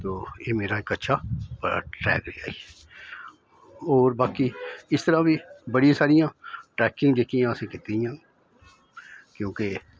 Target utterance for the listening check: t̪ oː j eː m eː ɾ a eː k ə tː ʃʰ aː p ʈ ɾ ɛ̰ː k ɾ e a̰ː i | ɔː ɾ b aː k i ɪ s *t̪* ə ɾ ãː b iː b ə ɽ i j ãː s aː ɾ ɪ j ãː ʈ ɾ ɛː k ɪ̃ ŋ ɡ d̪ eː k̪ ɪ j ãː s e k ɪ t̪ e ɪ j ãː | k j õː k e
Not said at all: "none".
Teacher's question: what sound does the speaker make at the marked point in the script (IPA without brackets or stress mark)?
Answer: t̪